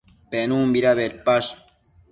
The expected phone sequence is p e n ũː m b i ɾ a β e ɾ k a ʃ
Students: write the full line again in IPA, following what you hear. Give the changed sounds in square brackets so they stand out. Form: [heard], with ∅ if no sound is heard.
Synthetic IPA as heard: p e n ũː m b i ɾ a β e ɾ [p] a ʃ